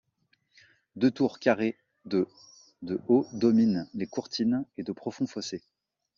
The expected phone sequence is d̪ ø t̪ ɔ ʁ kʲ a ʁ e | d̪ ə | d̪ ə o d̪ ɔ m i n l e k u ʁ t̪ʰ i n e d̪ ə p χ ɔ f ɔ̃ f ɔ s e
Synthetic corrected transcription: d̪ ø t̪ u ʁ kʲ a ʁ e | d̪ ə | d̪ ə o d̪ ɔ m i n l e k u ʁ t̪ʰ i n e d̪ ə p χ ɔ f ɔ̃ f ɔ s e